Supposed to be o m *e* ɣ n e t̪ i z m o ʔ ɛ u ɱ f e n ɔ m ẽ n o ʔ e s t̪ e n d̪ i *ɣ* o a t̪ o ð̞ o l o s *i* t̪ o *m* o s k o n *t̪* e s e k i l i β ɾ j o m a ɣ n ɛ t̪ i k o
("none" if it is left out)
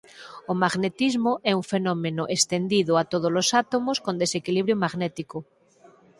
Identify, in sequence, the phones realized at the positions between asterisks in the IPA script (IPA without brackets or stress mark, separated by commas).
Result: a, ð, a, m, d̪